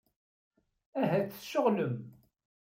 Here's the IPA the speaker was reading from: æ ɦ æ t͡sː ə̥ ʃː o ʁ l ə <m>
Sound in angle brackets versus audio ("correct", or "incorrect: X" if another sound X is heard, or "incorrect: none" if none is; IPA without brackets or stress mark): correct